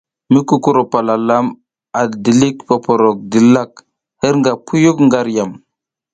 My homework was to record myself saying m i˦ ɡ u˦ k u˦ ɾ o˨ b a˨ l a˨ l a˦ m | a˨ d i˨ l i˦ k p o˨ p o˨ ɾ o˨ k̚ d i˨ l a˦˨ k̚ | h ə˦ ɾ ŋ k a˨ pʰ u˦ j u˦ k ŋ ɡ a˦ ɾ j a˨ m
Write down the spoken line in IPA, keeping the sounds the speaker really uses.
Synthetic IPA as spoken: m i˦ k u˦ k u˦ ɾ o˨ p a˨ l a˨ l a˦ m | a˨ d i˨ l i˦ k p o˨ p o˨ ɾ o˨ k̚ d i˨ l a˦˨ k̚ | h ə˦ ɾ ŋ ɡ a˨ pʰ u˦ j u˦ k ŋ ɡ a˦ ɾ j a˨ m